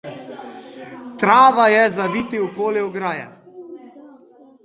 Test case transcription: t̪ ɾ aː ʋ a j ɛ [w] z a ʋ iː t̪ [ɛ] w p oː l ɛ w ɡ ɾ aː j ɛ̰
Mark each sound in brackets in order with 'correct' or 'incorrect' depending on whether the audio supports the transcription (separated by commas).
incorrect, incorrect